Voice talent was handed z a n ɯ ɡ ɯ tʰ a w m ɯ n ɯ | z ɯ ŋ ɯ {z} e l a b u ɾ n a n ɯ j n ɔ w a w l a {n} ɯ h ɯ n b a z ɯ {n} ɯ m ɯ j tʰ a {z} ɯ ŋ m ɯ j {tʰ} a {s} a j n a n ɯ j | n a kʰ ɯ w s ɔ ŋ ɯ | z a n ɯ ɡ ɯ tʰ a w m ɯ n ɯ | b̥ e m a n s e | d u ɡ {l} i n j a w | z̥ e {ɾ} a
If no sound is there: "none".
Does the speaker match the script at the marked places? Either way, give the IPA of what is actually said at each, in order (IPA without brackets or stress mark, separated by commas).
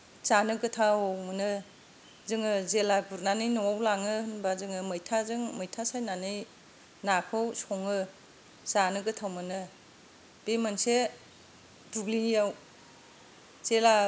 z, ŋ, ŋ, z, tʰ, s, l, l